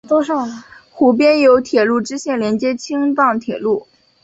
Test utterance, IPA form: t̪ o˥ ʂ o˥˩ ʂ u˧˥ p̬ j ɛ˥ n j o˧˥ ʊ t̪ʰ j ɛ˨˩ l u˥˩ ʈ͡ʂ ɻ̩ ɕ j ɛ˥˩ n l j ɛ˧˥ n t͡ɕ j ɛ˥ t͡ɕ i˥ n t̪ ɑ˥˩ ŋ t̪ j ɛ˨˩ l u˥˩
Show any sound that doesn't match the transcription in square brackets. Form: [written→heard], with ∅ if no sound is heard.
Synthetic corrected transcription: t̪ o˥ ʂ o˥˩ [ʂ→x] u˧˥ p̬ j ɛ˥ n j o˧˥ ʊ t̪ʰ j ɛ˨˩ l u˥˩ ʈ͡ʂ ɻ̩ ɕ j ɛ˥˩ n l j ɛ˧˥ n t͡ɕ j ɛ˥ [t͡ɕ→t͡ɕʰ] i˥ [n→ŋ] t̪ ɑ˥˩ ŋ [t̪→t̪ʰ] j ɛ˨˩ l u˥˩